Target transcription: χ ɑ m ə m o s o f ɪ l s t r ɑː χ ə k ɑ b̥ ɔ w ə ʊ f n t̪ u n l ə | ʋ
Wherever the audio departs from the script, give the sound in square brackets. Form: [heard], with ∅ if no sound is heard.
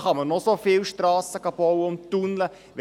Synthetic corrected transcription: χ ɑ m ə [n] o s o f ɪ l [ʃ] t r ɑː [s] ə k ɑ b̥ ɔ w ə ʊ [∅] n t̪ u n l ə | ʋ